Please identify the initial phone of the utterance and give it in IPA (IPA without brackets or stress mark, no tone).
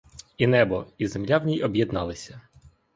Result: i